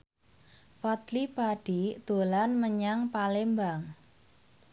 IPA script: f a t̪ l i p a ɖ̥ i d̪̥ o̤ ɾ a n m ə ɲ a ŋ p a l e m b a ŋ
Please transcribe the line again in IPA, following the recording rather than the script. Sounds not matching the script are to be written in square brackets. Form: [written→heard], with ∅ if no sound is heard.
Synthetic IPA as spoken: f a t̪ l i p a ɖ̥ i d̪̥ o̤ [ɾ→l] a n m ə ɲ a ŋ p a l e m b a ŋ